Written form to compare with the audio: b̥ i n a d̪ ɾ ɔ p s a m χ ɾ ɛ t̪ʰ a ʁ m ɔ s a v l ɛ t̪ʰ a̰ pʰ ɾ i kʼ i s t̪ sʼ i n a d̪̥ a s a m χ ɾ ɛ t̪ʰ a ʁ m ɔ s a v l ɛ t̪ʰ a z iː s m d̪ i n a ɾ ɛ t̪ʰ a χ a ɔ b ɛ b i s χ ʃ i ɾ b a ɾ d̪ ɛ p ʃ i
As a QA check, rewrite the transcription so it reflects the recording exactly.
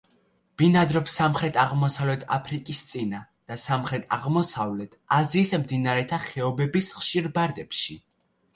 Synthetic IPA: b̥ i n a d̪ ɾ ɔ p s a m χ ɾ ɛ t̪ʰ a ʁ m ɔ s a v l ɛ t̪ʰ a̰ pʰ ɾ i kʼ i s t̪ sʼ i n a d̪̥ a s a m χ ɾ ɛ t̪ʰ a ʁ m ɔ s a v l ɛ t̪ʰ a z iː s m d̪ i n a ɾ ɛ t̪ʰ a χ ɛ ɔ b ɛ b i s χ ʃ i ɾ b a ɾ d̪ ɛ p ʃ i